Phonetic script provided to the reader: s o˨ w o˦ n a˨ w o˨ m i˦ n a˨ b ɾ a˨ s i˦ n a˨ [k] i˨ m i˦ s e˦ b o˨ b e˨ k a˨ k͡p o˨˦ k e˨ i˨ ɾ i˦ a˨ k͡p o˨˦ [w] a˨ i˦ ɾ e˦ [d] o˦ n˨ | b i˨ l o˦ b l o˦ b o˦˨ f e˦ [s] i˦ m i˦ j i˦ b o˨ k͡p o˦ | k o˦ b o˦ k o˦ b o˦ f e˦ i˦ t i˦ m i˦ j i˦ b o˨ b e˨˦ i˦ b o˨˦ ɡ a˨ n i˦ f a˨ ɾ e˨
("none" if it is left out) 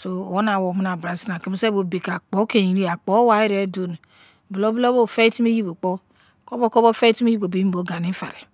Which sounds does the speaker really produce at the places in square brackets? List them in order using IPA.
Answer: k, w, d, t

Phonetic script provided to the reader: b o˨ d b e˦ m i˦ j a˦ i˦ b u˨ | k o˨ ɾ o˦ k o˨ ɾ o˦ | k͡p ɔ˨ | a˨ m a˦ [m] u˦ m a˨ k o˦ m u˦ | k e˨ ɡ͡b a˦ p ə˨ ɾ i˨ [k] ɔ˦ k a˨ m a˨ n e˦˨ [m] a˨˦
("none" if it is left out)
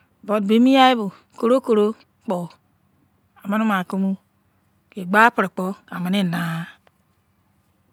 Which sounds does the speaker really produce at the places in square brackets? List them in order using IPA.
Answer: n, k͡p, n

